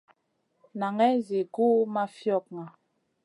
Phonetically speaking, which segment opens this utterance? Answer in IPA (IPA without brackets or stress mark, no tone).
n